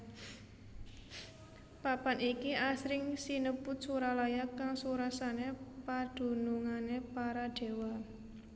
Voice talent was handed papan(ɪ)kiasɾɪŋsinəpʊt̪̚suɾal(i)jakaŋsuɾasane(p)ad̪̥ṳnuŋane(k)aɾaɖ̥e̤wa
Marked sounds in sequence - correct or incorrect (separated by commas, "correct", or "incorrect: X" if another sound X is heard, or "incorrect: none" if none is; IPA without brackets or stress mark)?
incorrect: i, incorrect: a, correct, incorrect: p